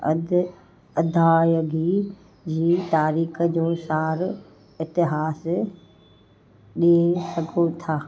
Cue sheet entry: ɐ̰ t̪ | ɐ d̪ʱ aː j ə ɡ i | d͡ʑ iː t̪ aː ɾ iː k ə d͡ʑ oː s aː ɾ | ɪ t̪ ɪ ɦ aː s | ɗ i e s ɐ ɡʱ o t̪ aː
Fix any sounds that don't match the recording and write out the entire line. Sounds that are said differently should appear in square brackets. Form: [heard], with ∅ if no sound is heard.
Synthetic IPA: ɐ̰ [d̪] | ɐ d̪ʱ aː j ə ɡ i | d͡ʑ iː t̪ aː ɾ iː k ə d͡ʑ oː s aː ɾ | ɪ t̪ ɪ ɦ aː s | ɗ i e s ɐ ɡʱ o [t̪ʰ] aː